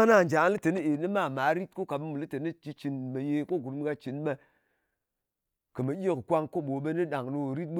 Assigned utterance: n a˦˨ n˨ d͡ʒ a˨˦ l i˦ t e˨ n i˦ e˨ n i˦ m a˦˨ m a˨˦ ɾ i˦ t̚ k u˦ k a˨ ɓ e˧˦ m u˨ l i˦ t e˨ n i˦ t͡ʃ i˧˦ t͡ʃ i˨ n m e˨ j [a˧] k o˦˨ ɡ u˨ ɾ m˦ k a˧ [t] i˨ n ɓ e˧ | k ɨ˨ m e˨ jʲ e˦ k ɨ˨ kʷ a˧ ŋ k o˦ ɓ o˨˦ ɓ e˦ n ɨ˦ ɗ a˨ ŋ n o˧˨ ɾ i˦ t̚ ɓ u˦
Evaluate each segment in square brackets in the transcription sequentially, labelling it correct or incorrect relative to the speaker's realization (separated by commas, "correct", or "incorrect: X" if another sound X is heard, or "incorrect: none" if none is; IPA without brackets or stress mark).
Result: incorrect: e˧, incorrect: t͡ʃ